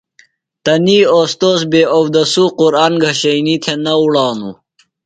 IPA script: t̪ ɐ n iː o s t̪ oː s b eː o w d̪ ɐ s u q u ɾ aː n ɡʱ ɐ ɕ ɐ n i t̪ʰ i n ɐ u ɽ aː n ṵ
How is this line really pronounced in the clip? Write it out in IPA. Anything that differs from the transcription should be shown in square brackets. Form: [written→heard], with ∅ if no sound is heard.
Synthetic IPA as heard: t̪ ɐ n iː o s t̪ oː s b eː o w d̪ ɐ s u q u ɾ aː n ɡʱ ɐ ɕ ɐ n i t̪ʰ [i→e] n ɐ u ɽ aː n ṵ